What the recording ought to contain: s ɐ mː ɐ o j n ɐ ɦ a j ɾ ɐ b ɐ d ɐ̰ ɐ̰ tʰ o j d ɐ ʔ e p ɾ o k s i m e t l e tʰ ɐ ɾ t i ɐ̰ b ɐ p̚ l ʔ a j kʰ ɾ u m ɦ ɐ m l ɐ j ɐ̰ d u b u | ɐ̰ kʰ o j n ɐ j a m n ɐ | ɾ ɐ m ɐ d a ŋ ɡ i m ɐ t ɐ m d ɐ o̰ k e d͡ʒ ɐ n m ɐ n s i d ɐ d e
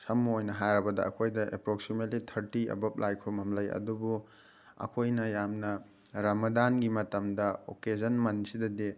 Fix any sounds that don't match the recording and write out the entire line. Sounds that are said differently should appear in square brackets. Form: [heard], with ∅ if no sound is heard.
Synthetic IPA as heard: s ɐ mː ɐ o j n ɐ ɦ a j ɾ ɐ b ɐ d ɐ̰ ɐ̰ [kʰ] o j d ɐ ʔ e p ɾ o k s i m e t l [i] tʰ ɐ ɾ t i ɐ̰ b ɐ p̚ l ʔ a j kʰ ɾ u m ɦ ɐ m l ɐ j ɐ̰ d u b u | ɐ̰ kʰ o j n ɐ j a m n ɐ | ɾ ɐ m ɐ d a [n] ɡ i m ɐ t ɐ m d ɐ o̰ k e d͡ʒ ɐ n m ɐ n s i d ɐ d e